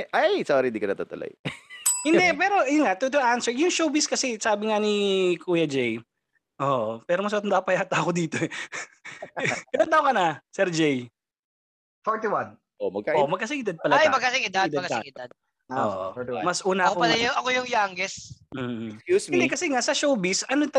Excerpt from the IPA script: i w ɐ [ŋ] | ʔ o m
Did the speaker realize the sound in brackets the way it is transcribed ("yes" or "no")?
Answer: no